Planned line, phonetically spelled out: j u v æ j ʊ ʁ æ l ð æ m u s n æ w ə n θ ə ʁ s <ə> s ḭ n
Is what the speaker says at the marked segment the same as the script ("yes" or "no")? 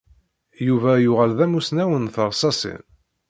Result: no